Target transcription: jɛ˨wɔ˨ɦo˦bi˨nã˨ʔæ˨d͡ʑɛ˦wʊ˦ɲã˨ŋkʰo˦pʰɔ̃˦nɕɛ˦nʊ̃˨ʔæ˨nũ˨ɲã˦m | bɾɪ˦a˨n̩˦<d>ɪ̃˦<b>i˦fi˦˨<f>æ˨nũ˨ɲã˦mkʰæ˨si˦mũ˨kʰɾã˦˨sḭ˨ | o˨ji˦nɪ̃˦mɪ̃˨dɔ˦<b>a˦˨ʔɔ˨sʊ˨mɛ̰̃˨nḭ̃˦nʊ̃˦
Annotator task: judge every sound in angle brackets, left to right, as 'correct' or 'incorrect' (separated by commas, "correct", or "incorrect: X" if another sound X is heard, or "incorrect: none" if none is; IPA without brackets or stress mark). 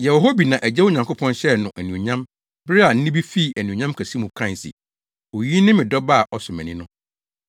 incorrect: n, correct, incorrect: none, correct